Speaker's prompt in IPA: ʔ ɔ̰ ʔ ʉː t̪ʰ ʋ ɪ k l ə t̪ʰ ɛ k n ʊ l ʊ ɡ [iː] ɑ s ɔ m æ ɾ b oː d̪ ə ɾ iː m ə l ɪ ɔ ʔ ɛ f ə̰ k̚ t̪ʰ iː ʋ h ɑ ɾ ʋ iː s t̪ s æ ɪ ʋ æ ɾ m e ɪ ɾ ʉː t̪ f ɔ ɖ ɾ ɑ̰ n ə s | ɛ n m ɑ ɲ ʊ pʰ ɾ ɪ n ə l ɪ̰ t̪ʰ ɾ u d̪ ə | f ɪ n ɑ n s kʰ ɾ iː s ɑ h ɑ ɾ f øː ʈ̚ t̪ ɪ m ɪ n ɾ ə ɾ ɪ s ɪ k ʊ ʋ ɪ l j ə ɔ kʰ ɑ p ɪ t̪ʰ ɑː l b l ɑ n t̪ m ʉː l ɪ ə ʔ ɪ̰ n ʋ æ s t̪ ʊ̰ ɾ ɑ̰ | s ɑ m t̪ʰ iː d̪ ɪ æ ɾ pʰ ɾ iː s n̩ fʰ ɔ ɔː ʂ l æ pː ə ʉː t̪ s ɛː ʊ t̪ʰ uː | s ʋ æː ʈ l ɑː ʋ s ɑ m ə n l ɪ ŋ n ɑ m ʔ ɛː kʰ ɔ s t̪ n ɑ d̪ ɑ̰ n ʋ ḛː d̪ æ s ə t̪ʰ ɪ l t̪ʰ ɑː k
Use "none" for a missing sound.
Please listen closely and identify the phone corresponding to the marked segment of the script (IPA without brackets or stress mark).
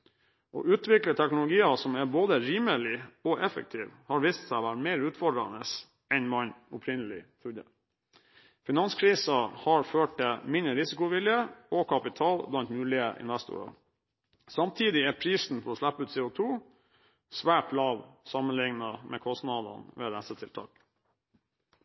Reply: iː